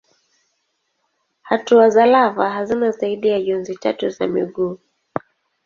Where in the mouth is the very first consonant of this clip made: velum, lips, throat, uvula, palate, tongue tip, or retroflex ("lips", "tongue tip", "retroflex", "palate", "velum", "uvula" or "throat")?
throat